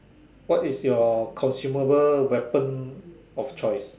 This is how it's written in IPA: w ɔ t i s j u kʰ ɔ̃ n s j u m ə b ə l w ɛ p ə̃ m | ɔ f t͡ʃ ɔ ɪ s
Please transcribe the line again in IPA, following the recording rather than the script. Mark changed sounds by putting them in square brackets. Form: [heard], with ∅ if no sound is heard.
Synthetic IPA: w ɔ t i s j [ɔ] kʰ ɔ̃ n s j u m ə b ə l w ɛ p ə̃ [n] | ɔ f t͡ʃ ɔ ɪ s